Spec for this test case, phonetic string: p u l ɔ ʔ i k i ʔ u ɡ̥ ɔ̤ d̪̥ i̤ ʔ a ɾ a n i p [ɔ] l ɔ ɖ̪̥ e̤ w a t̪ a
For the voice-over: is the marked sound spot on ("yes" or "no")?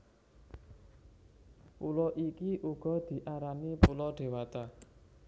no